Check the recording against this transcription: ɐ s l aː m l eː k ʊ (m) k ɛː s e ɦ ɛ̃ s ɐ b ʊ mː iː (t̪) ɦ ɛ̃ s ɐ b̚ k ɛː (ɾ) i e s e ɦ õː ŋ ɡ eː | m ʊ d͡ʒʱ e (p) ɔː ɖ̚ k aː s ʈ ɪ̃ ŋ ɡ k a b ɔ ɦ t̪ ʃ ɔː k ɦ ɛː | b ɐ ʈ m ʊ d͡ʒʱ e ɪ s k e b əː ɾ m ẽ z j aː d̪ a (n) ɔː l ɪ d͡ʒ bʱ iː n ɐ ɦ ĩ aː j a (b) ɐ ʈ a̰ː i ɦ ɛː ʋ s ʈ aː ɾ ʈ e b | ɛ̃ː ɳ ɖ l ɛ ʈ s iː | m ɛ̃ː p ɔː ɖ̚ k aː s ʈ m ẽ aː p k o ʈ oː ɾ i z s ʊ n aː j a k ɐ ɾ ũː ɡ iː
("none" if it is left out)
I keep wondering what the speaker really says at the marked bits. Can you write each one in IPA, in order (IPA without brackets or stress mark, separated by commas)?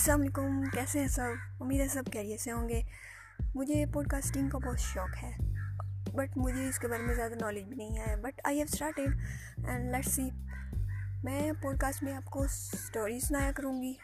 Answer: m, d̪, ɾ, p, n, b